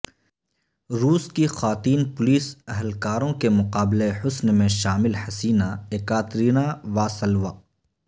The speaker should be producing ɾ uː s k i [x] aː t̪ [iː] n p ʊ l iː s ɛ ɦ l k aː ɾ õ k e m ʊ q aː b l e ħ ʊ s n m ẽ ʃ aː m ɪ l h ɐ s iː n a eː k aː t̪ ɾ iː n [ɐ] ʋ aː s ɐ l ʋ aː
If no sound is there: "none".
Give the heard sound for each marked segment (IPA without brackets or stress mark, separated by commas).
x, iː, a